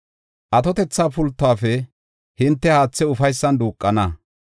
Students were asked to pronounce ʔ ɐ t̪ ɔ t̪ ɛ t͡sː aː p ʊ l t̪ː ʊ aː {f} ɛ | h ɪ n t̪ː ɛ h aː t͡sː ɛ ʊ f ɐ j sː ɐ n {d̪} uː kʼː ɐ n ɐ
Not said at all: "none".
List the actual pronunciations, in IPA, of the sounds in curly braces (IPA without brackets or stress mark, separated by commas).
f, d̪